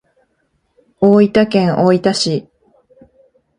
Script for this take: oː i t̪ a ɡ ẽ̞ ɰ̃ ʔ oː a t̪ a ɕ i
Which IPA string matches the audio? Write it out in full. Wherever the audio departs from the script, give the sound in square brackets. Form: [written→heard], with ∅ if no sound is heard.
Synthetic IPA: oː i t̪ a [ɡ→k] ẽ̞ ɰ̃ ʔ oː [a→i] t̪ a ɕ i